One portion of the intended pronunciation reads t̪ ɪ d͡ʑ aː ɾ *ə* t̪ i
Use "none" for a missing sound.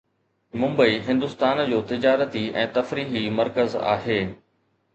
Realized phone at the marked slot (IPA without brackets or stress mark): ə